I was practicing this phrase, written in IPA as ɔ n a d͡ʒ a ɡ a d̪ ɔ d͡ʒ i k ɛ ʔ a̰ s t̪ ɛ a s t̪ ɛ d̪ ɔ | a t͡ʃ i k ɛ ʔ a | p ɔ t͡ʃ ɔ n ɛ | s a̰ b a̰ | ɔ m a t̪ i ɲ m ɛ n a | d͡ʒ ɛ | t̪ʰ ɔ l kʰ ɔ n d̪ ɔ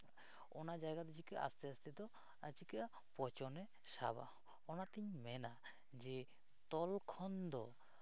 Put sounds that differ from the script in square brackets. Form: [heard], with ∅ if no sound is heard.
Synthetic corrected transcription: ɔ n a d͡ʒ a ɡ a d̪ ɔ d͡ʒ i k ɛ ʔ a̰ s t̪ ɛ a s t̪ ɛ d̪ ɔ | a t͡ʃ i k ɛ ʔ a | p ɔ t͡ʃ ɔ n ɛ | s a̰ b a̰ | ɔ [n] a t̪ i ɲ m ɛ n a | d͡ʒ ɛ | [t̪] ɔ l kʰ ɔ n d̪ ɔ